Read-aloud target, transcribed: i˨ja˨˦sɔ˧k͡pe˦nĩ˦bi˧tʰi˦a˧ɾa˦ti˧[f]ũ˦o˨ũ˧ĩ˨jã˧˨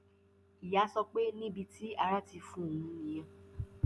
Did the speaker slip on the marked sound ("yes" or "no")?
no